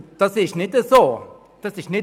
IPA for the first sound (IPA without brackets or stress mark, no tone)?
t̪